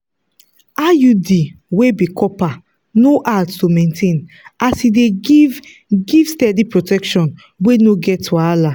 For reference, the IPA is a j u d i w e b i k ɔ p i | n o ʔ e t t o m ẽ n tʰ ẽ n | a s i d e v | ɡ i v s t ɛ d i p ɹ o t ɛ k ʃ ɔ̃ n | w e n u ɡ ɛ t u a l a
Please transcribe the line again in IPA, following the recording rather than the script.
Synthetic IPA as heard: a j u d i w e b i k ɔ p a | n o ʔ a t t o m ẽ n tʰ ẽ n | a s i d e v | ɡ i v s t ɛ d i p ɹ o t ɛ k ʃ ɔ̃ n | w e n o ɡ ɛ t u a l a